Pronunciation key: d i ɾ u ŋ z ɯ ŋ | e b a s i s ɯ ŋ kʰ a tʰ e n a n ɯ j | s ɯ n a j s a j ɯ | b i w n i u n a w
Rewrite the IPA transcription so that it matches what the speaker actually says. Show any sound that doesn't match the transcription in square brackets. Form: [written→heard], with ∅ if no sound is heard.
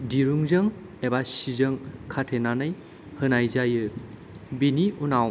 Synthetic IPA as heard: d i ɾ u ŋ z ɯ ŋ | e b a s i [s→z] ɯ ŋ kʰ a tʰ e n a n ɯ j | [s→h] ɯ n a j [s→z] a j ɯ | b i [w→∅] n i u n a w